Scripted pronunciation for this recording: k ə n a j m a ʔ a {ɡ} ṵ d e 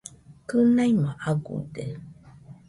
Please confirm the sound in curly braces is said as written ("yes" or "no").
yes